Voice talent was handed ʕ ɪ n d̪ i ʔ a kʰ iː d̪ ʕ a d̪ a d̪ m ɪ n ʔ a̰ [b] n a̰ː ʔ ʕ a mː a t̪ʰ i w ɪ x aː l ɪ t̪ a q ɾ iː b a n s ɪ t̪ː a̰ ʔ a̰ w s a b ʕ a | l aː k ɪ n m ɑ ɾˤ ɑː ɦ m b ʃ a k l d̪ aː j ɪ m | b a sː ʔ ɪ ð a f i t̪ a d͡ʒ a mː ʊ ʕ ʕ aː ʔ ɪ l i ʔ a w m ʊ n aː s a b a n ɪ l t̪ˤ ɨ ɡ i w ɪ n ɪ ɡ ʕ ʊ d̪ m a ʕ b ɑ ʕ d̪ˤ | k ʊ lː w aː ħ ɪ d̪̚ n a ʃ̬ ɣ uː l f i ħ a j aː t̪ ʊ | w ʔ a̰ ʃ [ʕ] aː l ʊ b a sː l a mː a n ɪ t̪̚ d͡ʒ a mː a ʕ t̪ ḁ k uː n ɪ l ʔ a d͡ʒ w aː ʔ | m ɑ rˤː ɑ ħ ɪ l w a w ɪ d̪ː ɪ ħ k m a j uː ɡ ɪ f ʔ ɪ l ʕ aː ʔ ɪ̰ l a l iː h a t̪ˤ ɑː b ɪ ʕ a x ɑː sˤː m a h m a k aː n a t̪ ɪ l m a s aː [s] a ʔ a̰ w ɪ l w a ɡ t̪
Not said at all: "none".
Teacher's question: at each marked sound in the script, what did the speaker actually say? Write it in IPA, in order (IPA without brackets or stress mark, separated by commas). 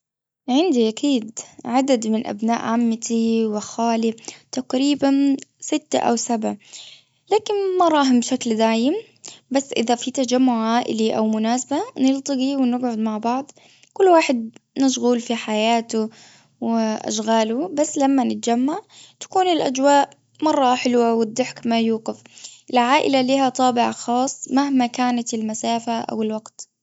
b, ɣ, f